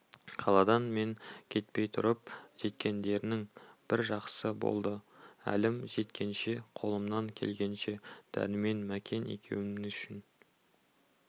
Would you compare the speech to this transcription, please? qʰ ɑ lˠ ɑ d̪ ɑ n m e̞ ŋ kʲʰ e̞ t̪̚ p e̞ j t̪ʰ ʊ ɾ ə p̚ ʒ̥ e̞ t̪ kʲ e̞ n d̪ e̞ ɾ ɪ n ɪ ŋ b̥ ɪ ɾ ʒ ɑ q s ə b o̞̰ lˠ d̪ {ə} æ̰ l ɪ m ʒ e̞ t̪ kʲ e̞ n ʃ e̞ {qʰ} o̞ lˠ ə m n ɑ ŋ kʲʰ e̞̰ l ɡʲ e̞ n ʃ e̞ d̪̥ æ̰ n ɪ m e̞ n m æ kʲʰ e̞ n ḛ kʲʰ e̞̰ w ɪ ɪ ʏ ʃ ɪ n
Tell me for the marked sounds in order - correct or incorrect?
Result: correct, correct

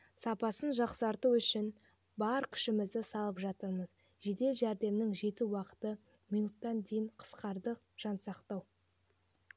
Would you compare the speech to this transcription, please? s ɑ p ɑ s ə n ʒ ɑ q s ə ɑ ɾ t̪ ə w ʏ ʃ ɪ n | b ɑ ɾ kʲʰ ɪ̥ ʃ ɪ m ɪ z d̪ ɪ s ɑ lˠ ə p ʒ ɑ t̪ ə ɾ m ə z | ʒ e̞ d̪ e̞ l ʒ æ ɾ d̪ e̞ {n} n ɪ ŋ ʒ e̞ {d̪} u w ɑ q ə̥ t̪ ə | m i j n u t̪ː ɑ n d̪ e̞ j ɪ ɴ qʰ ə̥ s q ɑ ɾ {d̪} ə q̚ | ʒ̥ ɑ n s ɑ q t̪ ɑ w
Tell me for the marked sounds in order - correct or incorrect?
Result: incorrect: m, incorrect: t̪, correct

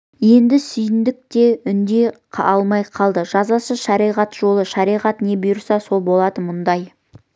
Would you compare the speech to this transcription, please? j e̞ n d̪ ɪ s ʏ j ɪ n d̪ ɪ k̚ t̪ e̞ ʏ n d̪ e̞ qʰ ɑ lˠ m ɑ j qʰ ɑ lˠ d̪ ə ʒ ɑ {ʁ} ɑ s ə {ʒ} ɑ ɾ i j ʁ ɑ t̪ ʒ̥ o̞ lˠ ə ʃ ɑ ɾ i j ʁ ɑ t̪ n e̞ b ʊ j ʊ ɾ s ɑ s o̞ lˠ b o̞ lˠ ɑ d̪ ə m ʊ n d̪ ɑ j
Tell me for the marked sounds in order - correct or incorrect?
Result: incorrect: z, incorrect: ʃ

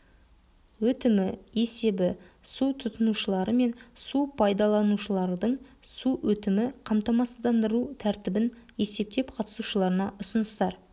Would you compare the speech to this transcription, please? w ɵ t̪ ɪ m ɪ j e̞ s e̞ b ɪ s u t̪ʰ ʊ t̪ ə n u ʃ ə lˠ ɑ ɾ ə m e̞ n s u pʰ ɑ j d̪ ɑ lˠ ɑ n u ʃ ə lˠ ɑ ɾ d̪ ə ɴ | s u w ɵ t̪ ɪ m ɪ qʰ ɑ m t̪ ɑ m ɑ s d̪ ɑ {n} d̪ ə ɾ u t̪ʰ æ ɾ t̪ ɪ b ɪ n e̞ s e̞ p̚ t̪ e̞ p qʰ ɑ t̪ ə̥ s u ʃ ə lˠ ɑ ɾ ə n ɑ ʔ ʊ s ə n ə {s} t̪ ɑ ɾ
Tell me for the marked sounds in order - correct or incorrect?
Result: correct, correct

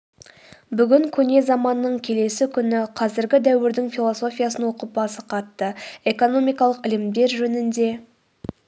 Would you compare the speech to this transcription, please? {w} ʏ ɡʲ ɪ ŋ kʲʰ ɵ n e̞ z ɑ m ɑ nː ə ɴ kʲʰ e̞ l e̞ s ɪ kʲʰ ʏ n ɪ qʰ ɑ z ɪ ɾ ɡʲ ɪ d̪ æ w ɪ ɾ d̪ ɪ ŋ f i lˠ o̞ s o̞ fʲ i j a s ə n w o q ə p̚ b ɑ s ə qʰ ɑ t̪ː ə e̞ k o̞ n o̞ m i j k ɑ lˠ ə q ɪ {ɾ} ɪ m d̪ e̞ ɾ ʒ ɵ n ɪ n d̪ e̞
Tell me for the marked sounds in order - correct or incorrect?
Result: incorrect: b, incorrect: l

